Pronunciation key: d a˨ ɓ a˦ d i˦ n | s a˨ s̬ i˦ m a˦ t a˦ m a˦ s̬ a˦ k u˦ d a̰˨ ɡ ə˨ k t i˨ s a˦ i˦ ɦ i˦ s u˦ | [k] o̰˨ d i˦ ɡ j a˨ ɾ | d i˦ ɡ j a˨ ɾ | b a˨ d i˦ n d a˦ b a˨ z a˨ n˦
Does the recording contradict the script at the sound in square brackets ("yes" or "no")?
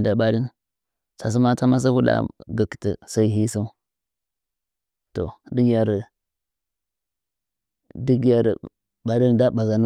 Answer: yes